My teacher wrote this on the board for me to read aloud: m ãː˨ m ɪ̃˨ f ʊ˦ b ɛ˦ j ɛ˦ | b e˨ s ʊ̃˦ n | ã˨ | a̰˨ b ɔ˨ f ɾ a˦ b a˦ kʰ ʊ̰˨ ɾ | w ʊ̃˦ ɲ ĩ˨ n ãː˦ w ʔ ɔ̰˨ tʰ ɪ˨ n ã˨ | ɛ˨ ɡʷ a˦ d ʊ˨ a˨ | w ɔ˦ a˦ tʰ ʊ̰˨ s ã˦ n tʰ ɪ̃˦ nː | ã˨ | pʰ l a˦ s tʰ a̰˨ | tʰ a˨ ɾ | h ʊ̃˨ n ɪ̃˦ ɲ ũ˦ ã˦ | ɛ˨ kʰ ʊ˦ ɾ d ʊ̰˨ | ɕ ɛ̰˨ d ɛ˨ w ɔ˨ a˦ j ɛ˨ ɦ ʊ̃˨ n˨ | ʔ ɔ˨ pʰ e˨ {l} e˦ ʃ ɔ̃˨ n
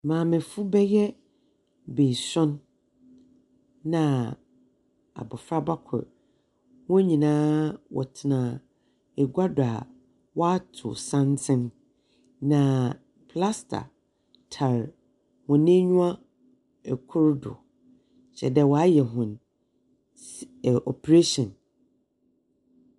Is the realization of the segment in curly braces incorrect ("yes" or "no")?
yes